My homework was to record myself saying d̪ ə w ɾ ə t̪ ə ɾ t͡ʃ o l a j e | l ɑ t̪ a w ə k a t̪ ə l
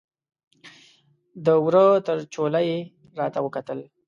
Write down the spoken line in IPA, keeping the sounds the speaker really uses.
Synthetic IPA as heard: d̪ ə w ɾ ə t̪ ə ɾ t͡ʃ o l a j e | ɾ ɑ t̪ a w ə k a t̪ ə l